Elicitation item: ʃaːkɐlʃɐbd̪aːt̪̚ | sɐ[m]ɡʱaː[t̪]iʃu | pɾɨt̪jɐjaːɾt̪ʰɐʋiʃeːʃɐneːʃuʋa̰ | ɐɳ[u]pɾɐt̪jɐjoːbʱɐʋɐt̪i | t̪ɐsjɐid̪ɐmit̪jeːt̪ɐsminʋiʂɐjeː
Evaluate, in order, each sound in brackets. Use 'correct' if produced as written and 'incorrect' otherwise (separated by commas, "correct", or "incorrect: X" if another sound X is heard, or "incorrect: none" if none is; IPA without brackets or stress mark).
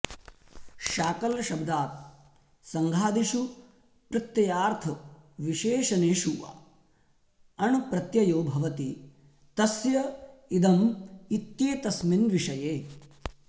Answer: incorrect: ŋ, incorrect: d̪, correct